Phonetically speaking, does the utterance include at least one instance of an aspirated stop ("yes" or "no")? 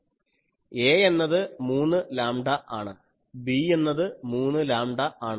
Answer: no